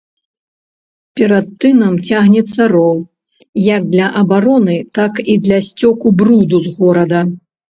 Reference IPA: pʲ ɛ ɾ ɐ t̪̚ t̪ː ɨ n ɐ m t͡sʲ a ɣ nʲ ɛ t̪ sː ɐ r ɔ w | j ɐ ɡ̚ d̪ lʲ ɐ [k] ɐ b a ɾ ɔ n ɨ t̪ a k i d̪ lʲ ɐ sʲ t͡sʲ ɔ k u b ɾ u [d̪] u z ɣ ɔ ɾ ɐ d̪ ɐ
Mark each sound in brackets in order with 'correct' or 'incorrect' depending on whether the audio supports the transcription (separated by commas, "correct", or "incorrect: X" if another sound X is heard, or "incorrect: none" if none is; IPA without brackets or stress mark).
incorrect: ʔ, correct